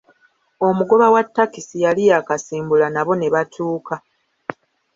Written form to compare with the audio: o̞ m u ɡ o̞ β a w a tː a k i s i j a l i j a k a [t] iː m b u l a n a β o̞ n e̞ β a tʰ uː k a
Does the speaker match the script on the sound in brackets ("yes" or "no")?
no